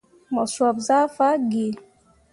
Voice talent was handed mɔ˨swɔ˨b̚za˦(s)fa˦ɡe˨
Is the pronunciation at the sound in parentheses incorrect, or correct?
incorrect